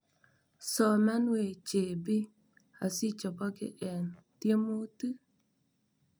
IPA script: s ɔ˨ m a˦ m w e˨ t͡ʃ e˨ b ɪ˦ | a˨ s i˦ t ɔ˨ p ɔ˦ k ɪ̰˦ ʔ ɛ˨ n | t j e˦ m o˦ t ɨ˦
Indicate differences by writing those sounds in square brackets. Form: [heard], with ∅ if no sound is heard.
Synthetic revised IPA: s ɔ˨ m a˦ [n] w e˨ t͡ʃ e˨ b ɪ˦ | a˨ s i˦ [t͡ʃ] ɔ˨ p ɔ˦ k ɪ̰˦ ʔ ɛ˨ n | t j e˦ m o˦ t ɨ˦